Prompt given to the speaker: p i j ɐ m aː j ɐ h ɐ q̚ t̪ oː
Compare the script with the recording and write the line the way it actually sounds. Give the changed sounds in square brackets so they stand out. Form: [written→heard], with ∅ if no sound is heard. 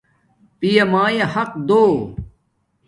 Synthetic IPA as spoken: p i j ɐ m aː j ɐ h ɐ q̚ [t̪→d̪] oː